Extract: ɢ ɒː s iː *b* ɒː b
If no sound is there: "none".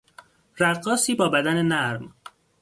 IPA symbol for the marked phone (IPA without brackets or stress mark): b